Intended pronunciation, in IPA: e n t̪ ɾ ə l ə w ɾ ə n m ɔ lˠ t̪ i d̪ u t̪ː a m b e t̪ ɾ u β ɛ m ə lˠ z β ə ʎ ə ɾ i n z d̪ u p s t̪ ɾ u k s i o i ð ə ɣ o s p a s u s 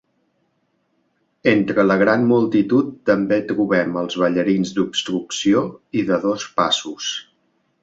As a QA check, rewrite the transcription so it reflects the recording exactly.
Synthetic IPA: e n t̪ ɾ ə l ə ɣ ɾ a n m u lˠ t̪ i t̪ u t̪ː ə m b e t̪ ɾ u β ɛ m ə lˠ z β ə ʎ ə ɾ i n z d̪ u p s t̪ ɾ u k s i o i ð ə ð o s p a s u s